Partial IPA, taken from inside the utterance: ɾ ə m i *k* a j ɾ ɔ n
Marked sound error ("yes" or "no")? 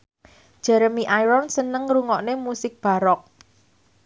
yes